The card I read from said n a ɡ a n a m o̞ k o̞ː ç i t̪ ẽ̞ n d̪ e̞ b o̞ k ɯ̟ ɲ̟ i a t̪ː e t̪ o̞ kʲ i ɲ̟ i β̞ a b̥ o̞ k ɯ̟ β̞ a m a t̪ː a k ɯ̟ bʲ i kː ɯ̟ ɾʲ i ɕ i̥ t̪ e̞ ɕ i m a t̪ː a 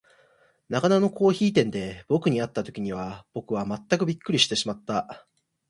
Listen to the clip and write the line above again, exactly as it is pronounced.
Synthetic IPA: n a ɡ a n a n o̞ k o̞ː ç iː t̪ ẽ̞ n d̪ e̞ b o̞ k ɯ̟ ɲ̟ i a t̪ː a t̪ o̞ kʲ i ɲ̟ i β̞ a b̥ o̞ k ɯ̟ β̞ a m a t̪ː a k ɯ̟ bʲ i kː ɯ̟ ɾʲ i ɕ i̥ t̪ e̞ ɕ i m a t̪ː a